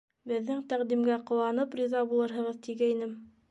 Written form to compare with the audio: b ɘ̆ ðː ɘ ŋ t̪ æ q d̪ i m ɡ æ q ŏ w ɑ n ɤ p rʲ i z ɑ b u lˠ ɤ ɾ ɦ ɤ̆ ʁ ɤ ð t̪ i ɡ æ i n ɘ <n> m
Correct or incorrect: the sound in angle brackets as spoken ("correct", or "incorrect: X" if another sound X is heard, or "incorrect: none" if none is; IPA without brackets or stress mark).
incorrect: none